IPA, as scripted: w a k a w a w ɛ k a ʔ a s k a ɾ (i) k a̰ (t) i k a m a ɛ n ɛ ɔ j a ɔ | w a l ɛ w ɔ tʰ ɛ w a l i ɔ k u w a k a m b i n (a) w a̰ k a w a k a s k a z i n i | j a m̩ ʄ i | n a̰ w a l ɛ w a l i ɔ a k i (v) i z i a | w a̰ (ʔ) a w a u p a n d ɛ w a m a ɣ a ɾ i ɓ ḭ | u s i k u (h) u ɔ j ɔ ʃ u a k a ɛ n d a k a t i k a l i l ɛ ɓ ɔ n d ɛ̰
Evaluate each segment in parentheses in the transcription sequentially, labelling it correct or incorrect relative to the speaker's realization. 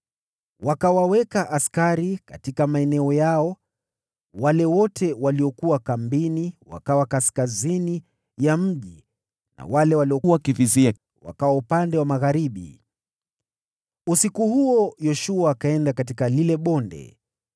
correct, correct, incorrect, correct, incorrect, correct

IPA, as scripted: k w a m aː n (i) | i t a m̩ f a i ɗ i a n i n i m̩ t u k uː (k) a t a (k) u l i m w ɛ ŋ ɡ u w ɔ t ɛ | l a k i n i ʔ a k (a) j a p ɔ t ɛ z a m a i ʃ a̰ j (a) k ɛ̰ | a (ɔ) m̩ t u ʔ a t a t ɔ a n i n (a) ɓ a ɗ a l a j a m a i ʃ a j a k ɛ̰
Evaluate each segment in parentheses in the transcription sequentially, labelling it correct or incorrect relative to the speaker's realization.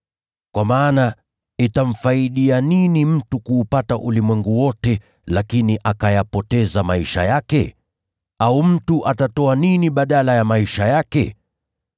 incorrect, incorrect, incorrect, correct, correct, incorrect, incorrect

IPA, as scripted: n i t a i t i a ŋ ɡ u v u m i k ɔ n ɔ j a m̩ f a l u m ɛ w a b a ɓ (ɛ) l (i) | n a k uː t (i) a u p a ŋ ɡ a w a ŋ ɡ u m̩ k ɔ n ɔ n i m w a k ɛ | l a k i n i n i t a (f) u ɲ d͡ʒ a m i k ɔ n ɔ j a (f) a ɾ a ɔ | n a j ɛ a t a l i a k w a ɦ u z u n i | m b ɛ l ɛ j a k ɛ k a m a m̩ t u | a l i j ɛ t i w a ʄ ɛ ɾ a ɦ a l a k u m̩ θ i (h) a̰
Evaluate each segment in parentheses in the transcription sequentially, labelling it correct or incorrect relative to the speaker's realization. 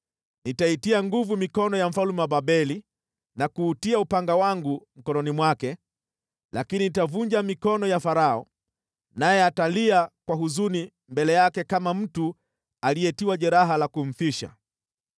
correct, correct, correct, incorrect, correct, incorrect

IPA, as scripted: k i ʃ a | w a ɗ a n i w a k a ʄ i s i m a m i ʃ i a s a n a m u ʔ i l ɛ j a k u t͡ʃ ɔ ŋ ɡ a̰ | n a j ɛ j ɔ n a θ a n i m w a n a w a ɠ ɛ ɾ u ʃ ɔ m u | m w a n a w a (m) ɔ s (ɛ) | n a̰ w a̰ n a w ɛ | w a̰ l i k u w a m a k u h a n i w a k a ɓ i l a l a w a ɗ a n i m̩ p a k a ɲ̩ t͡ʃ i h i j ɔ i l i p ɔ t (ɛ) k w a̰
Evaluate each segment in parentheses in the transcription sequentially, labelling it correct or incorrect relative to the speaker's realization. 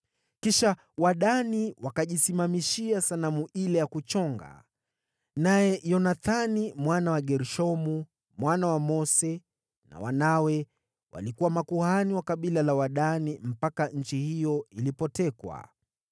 correct, correct, correct

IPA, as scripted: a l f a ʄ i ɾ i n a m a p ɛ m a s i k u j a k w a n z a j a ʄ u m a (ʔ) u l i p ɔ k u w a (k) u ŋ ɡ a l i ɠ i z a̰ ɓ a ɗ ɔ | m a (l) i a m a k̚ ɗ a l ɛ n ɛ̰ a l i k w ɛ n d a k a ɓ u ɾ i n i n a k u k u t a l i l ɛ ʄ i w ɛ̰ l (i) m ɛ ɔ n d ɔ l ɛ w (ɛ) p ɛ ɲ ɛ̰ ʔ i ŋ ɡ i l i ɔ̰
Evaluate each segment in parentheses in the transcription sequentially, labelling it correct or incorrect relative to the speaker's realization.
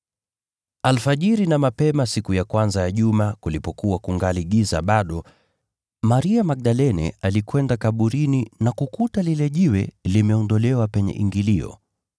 incorrect, correct, incorrect, correct, incorrect

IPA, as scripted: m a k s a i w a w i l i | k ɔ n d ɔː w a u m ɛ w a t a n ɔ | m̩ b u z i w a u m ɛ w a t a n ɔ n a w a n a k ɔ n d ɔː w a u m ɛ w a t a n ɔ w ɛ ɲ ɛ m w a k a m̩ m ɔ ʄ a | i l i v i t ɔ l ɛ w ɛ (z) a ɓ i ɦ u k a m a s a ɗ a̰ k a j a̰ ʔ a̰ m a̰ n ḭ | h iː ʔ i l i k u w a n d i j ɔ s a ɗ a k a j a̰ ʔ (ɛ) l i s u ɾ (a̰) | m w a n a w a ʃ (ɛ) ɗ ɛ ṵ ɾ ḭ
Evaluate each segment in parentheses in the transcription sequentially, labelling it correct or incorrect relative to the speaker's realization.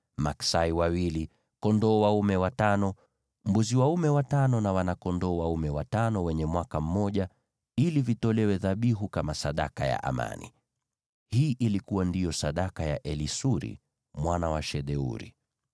incorrect, correct, incorrect, correct

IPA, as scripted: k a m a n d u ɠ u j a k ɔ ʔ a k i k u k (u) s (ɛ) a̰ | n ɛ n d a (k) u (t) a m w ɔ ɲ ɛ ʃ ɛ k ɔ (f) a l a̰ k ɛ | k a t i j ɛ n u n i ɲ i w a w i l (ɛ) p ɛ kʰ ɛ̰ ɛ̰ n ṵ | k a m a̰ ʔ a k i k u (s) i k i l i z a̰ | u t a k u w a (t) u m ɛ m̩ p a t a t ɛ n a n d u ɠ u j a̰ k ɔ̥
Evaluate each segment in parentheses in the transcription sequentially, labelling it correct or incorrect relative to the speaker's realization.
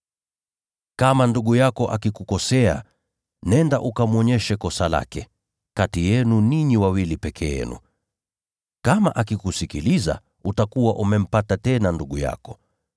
incorrect, correct, incorrect, incorrect, incorrect, incorrect, correct, incorrect

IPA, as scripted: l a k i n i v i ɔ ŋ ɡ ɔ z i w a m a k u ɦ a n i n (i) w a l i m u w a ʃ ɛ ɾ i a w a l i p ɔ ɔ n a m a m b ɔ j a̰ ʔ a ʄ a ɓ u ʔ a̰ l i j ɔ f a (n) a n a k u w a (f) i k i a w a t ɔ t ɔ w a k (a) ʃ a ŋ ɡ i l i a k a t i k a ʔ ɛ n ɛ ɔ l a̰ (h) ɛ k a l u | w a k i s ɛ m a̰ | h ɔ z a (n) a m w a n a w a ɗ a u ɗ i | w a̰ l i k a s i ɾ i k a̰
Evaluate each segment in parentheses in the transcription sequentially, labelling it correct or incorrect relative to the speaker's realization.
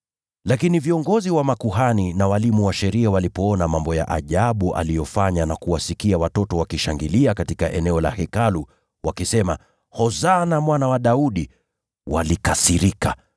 incorrect, incorrect, incorrect, incorrect, correct, correct

